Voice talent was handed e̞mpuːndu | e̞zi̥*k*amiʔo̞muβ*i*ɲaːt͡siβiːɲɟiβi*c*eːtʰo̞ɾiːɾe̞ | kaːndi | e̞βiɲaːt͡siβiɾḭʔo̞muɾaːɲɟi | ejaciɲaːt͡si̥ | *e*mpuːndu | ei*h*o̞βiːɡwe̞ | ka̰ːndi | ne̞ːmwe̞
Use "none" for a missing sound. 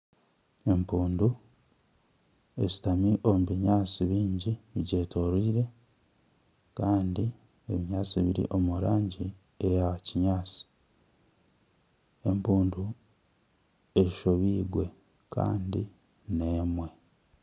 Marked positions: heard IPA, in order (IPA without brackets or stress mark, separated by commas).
t, i, ɟ, e, ʃ